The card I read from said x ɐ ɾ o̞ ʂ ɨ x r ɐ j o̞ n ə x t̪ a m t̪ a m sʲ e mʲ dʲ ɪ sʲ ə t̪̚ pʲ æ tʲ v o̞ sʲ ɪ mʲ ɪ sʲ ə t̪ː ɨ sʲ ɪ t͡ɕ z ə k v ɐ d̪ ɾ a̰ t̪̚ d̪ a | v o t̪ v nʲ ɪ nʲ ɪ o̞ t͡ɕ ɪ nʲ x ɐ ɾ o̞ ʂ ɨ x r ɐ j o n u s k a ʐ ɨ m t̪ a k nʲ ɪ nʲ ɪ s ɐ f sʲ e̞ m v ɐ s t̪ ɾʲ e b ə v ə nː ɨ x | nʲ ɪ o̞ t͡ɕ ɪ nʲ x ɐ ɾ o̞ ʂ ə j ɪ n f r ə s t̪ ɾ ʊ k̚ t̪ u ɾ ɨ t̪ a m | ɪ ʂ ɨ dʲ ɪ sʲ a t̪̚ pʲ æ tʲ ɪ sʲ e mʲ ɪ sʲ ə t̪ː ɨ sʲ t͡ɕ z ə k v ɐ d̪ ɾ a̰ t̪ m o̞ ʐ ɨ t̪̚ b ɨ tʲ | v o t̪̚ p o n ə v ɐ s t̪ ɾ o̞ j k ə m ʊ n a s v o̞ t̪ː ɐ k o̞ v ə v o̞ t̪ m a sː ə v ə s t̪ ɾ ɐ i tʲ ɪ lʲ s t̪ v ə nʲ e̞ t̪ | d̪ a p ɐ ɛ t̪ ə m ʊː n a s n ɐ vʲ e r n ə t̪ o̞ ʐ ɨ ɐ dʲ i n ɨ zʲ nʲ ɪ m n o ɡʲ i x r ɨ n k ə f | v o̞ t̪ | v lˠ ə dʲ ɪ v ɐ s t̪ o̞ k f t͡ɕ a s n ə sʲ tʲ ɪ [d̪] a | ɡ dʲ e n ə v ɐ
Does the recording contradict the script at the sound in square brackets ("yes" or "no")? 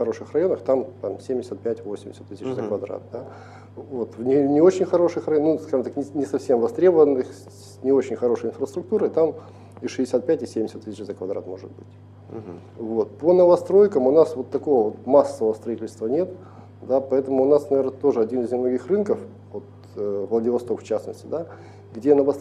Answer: no